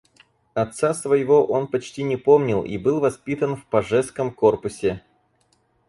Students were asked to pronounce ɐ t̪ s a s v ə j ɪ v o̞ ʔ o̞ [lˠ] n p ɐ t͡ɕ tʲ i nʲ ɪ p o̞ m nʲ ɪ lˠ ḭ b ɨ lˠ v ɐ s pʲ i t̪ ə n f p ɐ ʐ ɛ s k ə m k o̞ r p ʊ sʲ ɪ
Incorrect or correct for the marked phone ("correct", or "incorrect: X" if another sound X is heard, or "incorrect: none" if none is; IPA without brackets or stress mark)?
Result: incorrect: none